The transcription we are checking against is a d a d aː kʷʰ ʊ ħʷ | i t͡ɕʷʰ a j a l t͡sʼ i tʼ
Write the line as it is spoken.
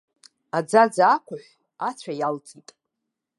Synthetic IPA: a d͡z a d͡z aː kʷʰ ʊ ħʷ | a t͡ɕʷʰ a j a l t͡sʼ i tʼ